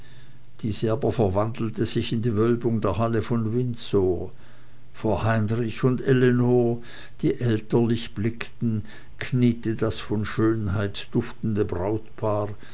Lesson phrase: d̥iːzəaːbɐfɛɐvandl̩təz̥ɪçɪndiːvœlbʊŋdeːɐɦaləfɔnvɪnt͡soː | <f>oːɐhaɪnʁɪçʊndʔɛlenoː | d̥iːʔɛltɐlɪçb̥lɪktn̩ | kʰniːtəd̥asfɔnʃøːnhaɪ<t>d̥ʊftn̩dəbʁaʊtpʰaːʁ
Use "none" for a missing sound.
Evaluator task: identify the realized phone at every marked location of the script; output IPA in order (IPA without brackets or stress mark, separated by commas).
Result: f, t